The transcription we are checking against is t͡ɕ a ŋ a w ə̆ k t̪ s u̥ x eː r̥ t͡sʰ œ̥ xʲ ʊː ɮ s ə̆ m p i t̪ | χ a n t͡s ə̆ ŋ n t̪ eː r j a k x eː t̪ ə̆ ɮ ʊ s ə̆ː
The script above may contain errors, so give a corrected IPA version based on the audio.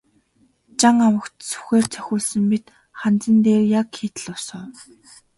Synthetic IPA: t͡ɕ a ŋ a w ə̆ k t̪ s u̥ x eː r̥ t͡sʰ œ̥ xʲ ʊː ɮ s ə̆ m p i t̪ | χ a n t͡s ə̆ n t̪ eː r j a k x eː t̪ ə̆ ɮ ʊ s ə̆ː